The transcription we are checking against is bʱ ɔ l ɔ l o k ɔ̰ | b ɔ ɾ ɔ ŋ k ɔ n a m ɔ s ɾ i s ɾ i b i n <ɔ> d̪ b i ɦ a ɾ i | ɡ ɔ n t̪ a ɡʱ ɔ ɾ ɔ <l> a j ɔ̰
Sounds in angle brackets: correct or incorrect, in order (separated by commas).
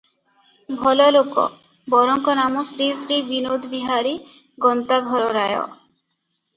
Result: incorrect, incorrect